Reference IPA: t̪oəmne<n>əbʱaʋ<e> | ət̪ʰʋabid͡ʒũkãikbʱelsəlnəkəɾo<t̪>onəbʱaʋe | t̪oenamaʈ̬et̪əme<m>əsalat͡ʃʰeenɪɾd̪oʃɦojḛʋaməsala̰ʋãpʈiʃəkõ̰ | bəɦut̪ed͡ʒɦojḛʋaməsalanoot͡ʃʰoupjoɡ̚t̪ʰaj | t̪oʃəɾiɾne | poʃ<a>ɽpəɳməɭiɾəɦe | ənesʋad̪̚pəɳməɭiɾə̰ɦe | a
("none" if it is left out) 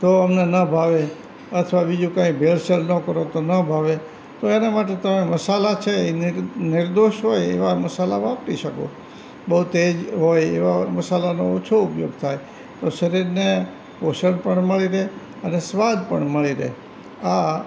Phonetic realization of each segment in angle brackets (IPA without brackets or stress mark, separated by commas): n, e, t̪, m, ə